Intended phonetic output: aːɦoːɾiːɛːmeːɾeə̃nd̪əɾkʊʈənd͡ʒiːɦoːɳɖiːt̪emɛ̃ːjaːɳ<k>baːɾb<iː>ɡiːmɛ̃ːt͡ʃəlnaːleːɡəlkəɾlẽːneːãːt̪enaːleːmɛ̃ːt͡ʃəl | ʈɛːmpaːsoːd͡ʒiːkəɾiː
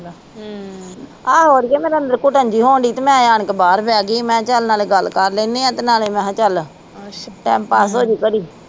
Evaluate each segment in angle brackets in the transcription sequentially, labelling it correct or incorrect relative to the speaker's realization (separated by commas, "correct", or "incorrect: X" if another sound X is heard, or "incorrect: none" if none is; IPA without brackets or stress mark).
correct, incorrect: ɛː